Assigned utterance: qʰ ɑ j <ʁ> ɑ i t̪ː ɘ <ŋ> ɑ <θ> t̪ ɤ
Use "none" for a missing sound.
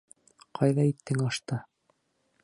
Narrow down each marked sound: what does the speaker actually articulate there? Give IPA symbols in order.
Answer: ð, ŋ, ʃ

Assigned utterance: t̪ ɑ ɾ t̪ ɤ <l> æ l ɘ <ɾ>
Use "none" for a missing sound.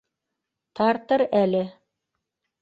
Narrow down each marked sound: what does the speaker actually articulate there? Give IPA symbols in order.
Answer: ɾ, none

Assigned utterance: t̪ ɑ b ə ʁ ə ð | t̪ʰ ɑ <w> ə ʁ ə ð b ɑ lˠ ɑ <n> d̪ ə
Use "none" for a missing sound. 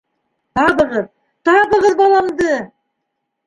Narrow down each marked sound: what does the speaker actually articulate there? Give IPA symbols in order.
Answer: b, m

